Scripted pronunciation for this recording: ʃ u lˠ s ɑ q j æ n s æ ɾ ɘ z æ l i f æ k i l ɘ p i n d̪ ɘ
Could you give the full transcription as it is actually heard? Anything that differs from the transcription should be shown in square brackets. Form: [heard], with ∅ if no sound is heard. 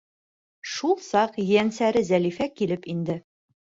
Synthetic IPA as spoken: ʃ u lˠ s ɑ q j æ n s æ ɾ ɘ z æ l i f æ k i l ɘ p i n d̪ ɘ